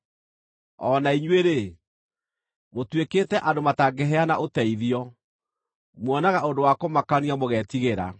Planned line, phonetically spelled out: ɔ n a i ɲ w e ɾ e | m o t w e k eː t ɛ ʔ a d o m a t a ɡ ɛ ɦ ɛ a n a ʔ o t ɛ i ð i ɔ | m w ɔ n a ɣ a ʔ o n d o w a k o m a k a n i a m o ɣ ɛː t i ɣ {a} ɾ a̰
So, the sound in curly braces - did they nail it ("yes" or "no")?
no